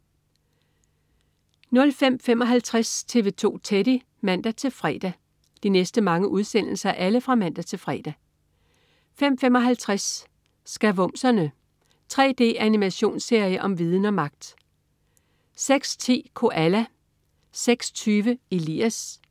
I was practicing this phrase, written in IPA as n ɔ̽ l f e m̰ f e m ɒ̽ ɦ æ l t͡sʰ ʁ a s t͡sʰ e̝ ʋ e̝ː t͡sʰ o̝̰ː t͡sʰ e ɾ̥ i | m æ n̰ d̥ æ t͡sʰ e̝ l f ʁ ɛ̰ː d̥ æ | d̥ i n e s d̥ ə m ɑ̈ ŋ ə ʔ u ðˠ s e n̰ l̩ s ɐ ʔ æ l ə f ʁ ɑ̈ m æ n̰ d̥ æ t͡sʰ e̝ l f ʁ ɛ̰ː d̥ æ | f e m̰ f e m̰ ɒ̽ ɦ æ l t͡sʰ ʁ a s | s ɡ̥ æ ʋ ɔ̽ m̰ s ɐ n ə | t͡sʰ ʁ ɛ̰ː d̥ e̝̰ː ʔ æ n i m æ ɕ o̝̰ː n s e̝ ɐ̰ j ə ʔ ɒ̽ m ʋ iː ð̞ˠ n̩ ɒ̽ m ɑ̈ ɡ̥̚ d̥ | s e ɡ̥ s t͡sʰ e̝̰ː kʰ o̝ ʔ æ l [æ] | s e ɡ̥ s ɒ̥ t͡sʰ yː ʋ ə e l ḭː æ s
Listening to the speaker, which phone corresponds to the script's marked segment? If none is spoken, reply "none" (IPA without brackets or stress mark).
æ